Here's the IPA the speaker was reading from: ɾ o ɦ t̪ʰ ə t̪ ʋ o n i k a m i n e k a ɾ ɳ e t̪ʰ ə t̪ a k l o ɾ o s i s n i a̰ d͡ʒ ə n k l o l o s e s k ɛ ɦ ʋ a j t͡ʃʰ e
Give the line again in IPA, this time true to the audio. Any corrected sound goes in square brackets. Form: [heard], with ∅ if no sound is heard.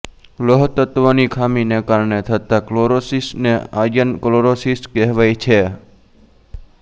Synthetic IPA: [l] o ɦ [t̪] ə t̪ ʋ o n i [kʰ] a m i n e k a ɾ ɳ e t̪ʰ ə t̪ a k l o ɾ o s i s n [e] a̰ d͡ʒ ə n k l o [ɾ] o s [i] s k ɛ ɦ ʋ a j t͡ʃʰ e